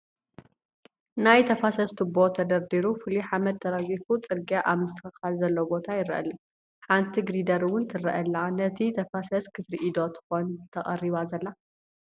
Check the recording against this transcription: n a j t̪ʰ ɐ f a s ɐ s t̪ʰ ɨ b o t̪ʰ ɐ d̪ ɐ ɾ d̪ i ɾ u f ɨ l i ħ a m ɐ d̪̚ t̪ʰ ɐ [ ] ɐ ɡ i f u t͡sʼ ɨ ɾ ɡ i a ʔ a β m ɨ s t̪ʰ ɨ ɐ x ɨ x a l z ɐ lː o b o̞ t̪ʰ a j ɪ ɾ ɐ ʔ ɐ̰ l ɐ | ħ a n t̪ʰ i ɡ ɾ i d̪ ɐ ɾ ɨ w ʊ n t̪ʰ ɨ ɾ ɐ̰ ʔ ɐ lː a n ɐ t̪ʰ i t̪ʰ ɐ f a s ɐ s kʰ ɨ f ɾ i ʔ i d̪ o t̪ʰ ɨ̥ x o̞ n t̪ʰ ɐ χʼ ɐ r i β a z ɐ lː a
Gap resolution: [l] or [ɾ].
ɾ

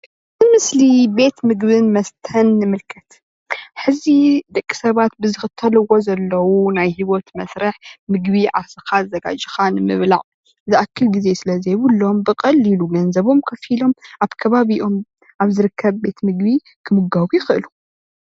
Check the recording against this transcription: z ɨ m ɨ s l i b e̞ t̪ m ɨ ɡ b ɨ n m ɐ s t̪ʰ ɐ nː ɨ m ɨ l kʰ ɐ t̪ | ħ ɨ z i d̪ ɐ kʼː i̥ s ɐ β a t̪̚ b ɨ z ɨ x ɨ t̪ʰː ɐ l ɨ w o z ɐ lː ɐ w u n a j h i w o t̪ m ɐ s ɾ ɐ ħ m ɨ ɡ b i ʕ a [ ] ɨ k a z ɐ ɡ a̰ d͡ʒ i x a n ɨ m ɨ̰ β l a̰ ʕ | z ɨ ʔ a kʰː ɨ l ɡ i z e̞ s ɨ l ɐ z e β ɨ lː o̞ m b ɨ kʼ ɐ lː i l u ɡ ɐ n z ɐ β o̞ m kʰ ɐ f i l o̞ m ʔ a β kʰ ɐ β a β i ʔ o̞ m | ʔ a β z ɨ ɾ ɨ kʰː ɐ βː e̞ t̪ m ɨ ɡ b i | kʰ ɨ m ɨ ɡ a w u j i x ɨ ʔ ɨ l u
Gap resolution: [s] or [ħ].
s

